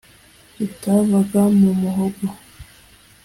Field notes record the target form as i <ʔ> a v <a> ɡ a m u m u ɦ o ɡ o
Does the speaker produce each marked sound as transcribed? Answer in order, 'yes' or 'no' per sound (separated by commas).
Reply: no, yes